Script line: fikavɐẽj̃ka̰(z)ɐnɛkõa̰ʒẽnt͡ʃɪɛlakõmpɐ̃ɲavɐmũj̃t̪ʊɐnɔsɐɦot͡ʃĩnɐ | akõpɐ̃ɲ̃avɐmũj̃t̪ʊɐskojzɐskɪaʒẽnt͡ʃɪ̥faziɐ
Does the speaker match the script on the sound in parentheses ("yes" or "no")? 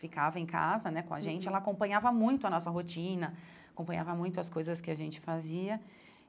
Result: yes